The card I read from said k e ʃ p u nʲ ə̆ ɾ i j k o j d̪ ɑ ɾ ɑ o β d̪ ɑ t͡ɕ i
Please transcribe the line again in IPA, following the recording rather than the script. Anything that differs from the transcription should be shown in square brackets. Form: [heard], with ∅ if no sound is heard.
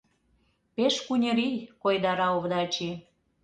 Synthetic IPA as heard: [p] e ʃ [k] u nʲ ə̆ ɾ i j k o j d̪ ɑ ɾ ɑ o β d̪ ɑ t͡ɕ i

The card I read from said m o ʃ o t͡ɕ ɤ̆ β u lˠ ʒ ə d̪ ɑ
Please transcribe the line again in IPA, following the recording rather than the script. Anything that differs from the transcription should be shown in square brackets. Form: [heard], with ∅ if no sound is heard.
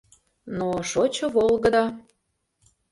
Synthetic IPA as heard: [n] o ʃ o t͡ɕ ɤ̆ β [o] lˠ [ɣ] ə d̪ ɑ

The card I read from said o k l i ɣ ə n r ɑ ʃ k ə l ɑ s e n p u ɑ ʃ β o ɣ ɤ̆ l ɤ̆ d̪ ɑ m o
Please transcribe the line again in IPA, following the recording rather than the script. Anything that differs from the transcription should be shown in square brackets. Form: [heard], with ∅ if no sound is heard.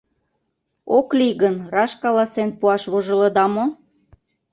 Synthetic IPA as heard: o k l i ɣ ə n r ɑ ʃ k [ɑ] l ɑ s e n p u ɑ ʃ β o [ʒ] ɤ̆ l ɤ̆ d̪ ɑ m o

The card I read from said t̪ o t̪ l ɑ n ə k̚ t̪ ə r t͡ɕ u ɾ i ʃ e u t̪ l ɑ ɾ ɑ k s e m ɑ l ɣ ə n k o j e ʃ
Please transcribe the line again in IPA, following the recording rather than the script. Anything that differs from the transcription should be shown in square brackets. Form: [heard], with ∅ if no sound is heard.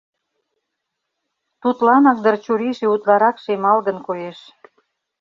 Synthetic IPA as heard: t̪ [u] t̪ l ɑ n [ɑ] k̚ [d̪] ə r t͡ɕ u ɾ i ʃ e u t̪ l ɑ ɾ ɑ k [ʃ] e m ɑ l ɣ ə n k o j e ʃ

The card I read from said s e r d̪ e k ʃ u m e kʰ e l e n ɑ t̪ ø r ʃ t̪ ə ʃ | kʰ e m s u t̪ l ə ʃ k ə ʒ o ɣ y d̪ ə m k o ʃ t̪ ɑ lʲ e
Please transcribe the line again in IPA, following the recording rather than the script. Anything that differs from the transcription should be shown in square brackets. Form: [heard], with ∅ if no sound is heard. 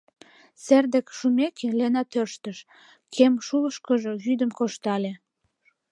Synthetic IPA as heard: s e r d̪ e k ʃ u m e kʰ e l e n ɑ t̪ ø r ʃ t̪ ə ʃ | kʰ e m [ʃ] u [∅] l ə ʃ k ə ʒ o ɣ y d̪ ə m k o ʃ t̪ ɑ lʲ e

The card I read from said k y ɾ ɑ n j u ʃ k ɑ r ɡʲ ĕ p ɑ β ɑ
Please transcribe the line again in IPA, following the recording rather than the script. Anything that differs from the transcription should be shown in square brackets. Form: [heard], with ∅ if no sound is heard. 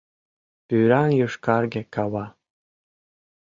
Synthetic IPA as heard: [p] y ɾ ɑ n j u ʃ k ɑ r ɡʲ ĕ [k] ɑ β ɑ

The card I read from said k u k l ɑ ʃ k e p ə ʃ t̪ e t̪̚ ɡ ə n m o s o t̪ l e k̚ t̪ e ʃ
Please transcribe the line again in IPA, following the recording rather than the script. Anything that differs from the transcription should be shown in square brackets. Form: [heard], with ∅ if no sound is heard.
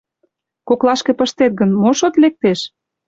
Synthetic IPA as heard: k [o] k l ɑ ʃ k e p ə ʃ t̪ e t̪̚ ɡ ə n m o [ʃ] o t̪ l e k̚ t̪ e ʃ

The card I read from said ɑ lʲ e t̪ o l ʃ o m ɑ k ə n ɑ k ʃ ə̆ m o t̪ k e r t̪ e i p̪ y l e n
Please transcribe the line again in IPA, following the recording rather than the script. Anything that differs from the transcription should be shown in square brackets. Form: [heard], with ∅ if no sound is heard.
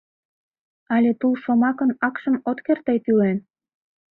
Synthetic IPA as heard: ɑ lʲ e t̪ [u] l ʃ o m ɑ k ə n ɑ k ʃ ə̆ m o t̪ k e r t̪ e [j] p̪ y l e n

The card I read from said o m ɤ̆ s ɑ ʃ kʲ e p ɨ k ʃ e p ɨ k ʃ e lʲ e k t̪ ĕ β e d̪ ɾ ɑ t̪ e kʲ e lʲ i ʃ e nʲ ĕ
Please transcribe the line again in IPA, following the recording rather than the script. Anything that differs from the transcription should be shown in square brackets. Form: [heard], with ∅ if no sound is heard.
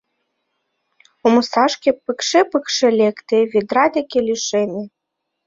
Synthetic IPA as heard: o m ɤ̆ s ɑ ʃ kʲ e p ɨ k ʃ e p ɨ k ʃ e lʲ e k t̪ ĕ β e d̪ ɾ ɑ [d̪] e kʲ e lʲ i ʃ e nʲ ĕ

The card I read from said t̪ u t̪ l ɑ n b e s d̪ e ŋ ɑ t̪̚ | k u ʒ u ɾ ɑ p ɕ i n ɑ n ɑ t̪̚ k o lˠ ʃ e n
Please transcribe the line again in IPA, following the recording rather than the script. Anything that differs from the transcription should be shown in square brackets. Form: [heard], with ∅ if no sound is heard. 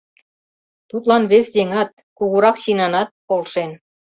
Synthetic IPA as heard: t̪ u t̪ l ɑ n [β] e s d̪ e ŋ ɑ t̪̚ | k u [ɣ] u ɾ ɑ [k] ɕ i n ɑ n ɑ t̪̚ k o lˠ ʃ e n

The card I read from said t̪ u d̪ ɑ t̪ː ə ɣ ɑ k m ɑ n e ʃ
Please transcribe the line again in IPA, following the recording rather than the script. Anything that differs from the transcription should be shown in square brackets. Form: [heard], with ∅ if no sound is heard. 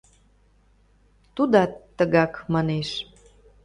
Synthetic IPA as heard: t̪ u d̪ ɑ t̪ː ə ɣ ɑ k m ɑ n e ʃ

